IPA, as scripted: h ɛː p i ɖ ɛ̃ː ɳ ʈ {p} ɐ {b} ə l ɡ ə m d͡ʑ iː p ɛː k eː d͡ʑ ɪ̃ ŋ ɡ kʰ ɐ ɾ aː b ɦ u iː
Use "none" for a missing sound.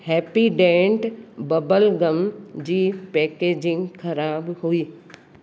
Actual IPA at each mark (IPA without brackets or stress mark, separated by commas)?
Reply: b, b